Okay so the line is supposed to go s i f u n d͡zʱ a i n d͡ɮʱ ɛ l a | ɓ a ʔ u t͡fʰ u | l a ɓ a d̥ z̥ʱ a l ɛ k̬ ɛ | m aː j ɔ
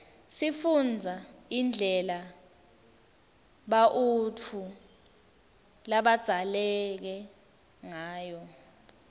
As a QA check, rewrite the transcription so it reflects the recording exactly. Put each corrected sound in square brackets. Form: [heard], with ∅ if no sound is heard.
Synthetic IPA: s i f u n d͡zʱ a i n d͡ɮʱ ɛ l a | ɓ a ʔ u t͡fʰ u | l a ɓ a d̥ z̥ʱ a l ɛ k̬ ɛ | [ŋ] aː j ɔ

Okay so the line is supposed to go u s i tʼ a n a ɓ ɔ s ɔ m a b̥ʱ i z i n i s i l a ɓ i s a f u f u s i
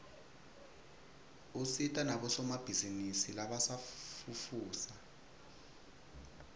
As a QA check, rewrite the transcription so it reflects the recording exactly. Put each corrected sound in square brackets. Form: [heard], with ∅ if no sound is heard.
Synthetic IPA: u s i tʼ a n a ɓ ɔ s ɔ m a b̥ʱ i z i n i s i l a ɓ [a] s a f u f [uː] s [a]

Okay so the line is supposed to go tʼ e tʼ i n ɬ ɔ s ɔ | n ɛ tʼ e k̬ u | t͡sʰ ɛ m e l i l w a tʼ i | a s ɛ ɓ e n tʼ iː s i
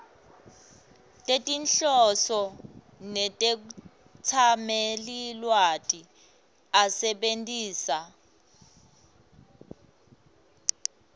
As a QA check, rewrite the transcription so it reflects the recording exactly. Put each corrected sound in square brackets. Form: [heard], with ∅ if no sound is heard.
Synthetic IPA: tʼ e tʼ i n ɬ ɔ s ɔ | n ɛ tʼ e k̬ u | t͡sʰ [a] m e l i l w a tʼ i | a s ɛ ɓ e n tʼ iː s [a]

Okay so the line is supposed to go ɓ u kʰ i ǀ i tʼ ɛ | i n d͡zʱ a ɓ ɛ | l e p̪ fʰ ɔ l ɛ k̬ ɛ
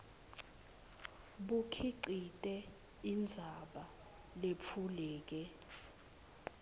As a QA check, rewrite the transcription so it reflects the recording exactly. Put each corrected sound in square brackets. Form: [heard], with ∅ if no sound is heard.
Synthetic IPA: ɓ u kʰ i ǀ i tʼ ɛ | i n d͡zʱ a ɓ [a] | l e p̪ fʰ [u] l [ɛː] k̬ ɛ

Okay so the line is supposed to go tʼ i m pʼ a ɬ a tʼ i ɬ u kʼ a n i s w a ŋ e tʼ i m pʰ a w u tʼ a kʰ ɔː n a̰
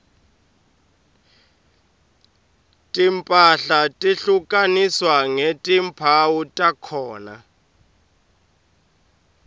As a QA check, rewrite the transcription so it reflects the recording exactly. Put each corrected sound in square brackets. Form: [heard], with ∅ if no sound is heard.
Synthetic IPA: tʼ i m pʼ a ɬ a tʼ i ɬ u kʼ a n i s w a ŋ e tʼ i m pʰ a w u tʼ a kʰ ɔː n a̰

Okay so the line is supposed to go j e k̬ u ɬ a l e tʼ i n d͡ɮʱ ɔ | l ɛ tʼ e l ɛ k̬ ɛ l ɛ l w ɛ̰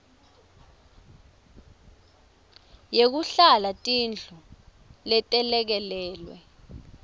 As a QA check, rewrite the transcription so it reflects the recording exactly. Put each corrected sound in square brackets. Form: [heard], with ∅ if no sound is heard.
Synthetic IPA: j e k̬ u ɬ a l [a] tʼ i n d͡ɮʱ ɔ | l ɛ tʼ [ɛ] l ɛ k̬ ɛ l [ɛː] l w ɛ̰

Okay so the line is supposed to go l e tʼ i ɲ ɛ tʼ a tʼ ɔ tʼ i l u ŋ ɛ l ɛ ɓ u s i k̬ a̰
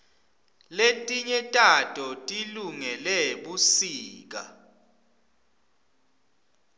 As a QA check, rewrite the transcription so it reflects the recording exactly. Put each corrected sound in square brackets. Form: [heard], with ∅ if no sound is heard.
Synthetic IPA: l e tʼ i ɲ ɛ tʼ a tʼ ɔ tʼ i l u ŋ ɛ l ɛ ɓ u s [iː] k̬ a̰

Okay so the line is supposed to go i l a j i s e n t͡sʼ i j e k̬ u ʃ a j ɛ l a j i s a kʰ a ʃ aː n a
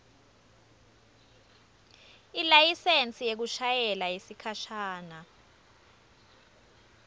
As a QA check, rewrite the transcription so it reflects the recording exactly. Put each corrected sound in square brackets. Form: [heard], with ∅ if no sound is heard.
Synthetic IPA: i l a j i s e n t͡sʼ i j e k̬ u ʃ a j ɛ l a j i s [i] kʰ a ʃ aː n a

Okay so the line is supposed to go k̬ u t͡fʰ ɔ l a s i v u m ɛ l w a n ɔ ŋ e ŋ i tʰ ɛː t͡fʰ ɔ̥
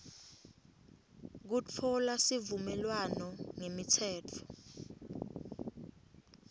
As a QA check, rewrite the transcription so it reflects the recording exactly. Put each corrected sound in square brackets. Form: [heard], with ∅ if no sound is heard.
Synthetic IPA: k̬ u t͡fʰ ɔ l a s i v u m ɛ l w a n ɔ ŋ e [m] i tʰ ɛː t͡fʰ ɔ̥

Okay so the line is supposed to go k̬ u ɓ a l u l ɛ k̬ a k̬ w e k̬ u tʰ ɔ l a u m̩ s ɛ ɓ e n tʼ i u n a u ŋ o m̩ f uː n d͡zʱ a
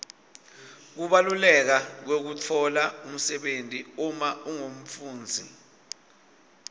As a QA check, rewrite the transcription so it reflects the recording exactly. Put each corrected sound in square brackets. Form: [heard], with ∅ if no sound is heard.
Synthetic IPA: k̬ u ɓ a l u l ɛ k̬ a k̬ w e k̬ u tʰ ɔ l a u m̩ s ɛ ɓ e n tʼ i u [m] a u ŋ o m̩ f uː n d͡zʱ [i]

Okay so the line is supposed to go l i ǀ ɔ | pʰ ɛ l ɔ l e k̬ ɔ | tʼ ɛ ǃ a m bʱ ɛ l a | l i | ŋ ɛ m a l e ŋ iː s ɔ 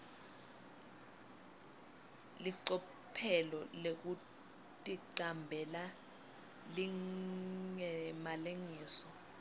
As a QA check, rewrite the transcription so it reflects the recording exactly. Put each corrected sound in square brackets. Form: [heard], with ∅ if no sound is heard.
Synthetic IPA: l i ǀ ɔ | pʰ ɛ l ɔ l e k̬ [u] | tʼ [i] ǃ a m bʱ ɛ l a | l i | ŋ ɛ m a l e ŋ iː s ɔ

